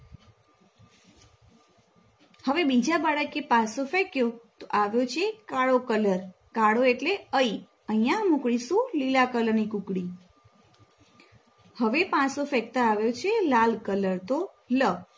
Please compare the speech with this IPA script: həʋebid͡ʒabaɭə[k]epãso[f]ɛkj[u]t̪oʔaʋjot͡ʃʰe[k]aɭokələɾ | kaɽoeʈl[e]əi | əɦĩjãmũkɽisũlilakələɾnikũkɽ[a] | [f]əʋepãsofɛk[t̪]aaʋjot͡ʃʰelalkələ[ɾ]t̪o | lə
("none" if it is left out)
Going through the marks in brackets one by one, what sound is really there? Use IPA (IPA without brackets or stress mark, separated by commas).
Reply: k, f, o, k, e, i, h, t̪, ɾ